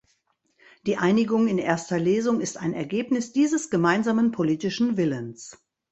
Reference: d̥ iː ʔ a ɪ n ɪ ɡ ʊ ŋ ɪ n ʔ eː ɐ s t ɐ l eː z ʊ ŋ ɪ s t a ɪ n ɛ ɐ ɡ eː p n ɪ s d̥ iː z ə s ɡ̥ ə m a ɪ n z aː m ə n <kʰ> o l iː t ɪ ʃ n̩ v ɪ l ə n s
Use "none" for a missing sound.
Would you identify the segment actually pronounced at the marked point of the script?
pʰ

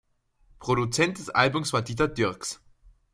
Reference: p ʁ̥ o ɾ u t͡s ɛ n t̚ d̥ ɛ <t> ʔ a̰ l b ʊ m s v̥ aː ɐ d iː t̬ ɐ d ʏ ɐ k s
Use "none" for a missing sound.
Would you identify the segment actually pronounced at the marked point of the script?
s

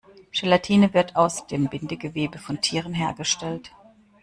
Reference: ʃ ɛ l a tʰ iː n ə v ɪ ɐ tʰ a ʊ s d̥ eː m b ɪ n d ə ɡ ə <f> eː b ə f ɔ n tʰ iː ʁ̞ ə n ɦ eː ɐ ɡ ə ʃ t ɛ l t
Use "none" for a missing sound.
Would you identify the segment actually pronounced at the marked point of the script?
v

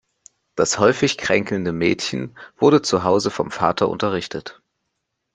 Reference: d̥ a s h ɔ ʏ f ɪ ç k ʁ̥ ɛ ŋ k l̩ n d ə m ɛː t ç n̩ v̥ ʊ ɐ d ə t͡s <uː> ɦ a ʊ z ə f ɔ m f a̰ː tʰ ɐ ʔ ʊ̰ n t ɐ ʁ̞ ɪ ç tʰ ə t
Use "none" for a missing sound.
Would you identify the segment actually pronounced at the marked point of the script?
u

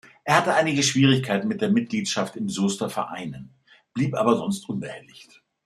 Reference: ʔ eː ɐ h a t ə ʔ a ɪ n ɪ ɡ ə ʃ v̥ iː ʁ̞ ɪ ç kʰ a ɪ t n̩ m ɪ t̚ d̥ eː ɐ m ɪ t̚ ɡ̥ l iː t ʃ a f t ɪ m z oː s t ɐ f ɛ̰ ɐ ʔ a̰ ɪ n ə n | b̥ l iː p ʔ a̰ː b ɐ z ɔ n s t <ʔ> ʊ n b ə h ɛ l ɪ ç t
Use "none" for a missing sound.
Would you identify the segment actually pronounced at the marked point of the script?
ʔ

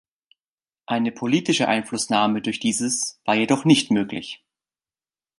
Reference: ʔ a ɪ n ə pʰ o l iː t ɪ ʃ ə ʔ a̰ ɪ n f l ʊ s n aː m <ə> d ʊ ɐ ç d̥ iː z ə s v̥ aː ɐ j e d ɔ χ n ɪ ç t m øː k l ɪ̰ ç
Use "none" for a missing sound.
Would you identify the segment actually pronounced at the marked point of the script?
ə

